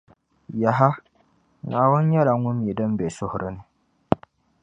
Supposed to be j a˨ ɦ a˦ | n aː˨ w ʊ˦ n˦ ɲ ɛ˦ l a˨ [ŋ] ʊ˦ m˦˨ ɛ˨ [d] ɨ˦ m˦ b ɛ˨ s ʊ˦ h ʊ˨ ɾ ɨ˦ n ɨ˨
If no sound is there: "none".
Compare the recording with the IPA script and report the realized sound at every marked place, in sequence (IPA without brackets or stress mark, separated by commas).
ŋ, d